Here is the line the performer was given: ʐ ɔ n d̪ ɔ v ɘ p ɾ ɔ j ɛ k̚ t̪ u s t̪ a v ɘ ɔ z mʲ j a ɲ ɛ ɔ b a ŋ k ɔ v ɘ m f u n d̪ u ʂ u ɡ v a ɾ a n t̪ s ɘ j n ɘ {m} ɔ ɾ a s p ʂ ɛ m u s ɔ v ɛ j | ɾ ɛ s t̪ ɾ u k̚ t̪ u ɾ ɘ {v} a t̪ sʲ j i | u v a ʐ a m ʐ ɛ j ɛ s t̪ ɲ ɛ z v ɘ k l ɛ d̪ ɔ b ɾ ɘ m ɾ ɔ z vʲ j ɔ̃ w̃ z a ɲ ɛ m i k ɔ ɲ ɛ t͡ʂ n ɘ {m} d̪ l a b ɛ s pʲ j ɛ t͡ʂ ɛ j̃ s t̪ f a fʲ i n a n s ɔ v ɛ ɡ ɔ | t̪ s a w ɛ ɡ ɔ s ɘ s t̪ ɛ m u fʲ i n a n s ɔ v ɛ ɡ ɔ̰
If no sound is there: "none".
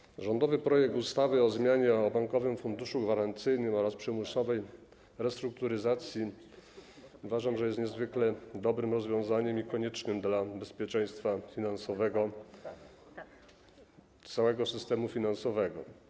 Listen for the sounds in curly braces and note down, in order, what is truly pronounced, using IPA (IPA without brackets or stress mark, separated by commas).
m, z, m